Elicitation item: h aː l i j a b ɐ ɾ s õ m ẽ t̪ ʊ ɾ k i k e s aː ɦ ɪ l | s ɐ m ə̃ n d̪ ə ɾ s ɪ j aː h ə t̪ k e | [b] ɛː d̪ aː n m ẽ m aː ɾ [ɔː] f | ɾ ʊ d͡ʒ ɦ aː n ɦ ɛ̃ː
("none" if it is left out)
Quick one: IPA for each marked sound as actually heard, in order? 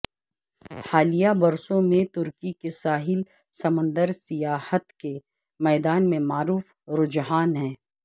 m, uː

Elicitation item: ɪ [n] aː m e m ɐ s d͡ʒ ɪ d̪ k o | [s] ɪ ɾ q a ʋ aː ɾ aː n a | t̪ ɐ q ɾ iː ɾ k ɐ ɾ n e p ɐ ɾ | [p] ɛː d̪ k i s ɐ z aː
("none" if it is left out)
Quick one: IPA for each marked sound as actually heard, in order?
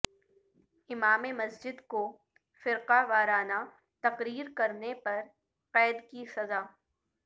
m, f, q

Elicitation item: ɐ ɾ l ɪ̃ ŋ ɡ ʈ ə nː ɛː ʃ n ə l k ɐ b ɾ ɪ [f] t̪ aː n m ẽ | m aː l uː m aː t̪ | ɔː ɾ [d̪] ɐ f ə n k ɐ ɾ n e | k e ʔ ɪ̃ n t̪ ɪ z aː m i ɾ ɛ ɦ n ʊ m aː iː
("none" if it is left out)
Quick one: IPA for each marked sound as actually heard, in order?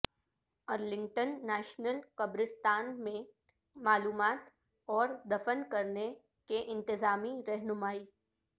s, d̪

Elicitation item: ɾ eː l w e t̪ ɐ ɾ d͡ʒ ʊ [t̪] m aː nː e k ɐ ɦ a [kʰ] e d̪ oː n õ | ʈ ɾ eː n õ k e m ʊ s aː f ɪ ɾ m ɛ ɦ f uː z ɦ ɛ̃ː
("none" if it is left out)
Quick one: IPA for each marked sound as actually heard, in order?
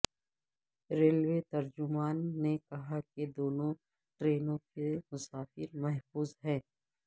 none, k

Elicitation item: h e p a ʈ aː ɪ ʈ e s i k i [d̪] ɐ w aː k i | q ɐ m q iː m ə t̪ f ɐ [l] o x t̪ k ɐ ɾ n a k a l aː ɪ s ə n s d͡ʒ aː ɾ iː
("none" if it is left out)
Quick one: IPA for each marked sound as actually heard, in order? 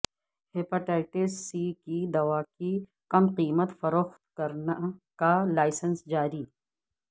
d̪, ɾ

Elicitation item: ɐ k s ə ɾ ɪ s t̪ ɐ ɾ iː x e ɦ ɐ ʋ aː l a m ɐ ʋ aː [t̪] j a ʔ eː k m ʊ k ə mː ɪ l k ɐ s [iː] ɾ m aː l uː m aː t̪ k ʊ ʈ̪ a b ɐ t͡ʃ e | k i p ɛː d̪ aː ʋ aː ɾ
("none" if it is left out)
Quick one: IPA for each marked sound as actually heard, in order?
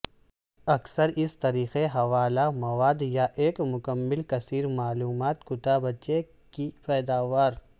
d̪, iː

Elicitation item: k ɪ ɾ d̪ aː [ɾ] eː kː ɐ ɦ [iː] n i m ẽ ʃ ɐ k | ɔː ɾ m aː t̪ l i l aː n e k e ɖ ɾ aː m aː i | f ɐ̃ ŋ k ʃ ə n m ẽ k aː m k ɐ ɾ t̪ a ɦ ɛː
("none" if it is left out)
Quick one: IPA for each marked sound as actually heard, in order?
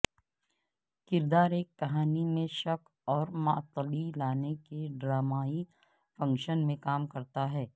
ɾ, aː

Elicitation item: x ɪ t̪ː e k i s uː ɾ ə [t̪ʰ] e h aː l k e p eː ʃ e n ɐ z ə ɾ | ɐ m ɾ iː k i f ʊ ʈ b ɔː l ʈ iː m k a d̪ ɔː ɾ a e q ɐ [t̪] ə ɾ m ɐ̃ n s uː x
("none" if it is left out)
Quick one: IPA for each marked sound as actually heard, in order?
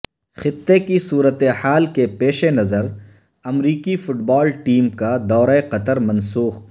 t̪, t̪

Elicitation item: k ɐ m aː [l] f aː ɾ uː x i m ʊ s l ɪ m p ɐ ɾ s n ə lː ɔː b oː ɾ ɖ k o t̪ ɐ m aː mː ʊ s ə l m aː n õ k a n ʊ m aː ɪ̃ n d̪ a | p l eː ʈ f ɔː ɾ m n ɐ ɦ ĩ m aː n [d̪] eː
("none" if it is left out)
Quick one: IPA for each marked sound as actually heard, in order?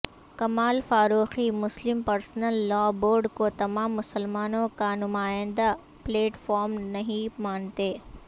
l, t̪

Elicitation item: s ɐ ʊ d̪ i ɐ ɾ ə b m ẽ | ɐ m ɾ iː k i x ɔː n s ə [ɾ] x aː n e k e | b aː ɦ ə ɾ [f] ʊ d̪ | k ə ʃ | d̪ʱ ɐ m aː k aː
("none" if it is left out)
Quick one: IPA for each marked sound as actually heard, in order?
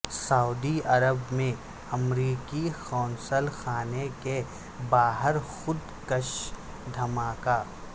l, x

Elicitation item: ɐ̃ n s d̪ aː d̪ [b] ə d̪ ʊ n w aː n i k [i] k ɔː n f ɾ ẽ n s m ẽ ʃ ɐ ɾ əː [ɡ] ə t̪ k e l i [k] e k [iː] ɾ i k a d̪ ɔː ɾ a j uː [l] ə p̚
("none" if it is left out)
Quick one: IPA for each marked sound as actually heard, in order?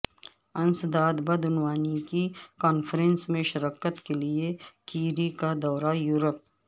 b, i, k, none, iː, ɾ

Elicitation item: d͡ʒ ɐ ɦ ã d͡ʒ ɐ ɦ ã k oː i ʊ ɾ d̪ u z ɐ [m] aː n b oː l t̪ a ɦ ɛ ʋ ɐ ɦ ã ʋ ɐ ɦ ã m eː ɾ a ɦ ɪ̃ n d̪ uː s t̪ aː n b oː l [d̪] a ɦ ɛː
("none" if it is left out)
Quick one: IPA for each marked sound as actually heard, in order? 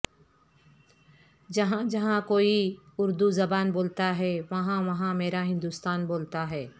b, t̪

